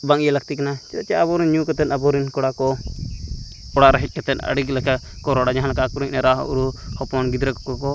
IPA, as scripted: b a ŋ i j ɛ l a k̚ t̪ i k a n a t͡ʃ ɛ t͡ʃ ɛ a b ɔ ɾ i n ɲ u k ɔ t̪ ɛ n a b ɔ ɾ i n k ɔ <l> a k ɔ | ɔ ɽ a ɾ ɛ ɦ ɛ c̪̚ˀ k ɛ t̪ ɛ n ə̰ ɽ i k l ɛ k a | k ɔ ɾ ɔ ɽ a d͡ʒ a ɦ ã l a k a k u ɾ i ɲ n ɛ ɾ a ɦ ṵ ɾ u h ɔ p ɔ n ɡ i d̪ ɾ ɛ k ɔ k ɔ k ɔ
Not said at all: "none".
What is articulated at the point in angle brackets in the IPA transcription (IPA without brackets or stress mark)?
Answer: ɽ